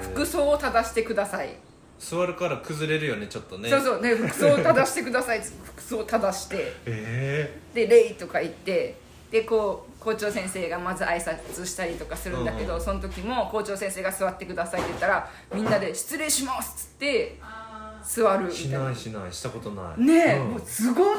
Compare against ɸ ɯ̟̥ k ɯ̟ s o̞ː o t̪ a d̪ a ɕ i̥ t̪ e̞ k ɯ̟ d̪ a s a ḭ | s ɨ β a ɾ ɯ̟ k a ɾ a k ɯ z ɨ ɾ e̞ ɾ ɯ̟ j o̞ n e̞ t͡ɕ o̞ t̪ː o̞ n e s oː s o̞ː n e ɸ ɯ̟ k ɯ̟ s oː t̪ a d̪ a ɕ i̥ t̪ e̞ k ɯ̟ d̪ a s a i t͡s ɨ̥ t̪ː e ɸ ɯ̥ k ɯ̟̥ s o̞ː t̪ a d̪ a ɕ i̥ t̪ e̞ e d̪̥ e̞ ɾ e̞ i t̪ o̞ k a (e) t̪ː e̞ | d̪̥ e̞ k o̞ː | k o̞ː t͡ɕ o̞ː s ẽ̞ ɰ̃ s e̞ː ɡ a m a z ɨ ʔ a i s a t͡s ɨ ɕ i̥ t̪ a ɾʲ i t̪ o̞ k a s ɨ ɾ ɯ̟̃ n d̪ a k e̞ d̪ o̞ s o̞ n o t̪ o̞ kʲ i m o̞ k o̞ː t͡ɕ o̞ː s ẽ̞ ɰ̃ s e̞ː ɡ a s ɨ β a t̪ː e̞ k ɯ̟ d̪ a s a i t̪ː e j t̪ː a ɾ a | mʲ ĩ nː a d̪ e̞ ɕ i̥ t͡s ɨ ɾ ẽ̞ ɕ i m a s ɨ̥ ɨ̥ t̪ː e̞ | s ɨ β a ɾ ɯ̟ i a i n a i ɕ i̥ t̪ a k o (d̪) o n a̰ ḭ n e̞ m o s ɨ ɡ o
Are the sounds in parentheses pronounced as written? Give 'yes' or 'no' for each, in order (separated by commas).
no, no